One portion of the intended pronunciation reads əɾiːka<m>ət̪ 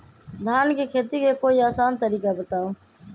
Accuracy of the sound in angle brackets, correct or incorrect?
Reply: incorrect